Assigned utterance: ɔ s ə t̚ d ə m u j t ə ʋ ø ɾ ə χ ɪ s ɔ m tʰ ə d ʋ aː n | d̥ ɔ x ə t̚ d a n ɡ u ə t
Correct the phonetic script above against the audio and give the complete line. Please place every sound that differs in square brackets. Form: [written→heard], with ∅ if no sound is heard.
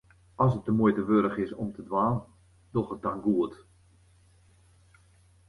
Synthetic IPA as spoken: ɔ s ə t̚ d ə m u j t ə ʋ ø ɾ ə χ ɪ s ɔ m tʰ ə d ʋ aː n | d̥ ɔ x ə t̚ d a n ɡ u ə t